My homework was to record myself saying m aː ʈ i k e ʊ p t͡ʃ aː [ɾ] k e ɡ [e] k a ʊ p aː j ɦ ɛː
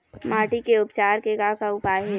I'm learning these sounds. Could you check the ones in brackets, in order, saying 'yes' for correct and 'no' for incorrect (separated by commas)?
yes, no